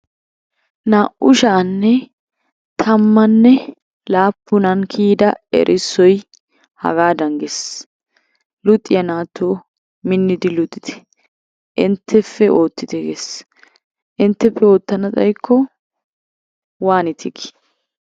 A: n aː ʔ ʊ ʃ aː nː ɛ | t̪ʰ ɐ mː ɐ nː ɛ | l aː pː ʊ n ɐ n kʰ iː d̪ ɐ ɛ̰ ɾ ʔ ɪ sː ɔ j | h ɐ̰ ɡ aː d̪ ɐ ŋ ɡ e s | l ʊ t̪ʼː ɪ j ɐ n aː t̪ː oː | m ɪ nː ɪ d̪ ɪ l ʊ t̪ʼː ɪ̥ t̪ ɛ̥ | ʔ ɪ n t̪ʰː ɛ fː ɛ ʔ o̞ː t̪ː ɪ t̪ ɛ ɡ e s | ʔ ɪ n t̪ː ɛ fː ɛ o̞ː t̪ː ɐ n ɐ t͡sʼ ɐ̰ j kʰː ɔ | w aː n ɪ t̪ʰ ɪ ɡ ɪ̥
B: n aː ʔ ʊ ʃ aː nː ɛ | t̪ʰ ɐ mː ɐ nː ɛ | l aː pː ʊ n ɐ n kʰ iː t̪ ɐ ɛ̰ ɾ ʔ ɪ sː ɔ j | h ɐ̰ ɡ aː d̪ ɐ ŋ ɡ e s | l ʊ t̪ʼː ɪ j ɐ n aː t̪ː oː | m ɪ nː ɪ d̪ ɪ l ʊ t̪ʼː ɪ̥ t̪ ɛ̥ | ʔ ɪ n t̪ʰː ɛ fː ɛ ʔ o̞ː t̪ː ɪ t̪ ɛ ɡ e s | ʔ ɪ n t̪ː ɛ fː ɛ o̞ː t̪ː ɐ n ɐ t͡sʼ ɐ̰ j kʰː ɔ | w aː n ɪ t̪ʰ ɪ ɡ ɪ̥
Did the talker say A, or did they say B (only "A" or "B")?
A